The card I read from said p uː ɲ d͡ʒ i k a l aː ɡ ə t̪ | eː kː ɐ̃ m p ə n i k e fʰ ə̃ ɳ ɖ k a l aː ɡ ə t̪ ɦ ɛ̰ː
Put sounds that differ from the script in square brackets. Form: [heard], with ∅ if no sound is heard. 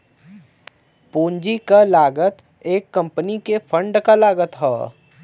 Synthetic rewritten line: p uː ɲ d͡ʒ i k a l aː ɡ ə t̪ | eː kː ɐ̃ m p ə n i k e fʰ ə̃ ɳ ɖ k a l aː ɡ ə t̪ ɦ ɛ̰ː